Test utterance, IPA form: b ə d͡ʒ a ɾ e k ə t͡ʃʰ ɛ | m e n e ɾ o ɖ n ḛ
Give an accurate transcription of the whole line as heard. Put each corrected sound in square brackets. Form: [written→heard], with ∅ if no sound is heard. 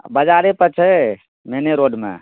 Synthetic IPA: b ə d͡ʒ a ɾ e [k→p] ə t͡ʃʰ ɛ | m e n e ɾ o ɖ [n→m] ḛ